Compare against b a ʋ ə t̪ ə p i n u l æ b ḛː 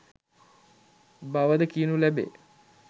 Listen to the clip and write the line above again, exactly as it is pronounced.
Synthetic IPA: b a ʋ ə d̪ ə k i n u l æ b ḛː